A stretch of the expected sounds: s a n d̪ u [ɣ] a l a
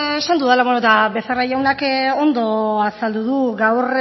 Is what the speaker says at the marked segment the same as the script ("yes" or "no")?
no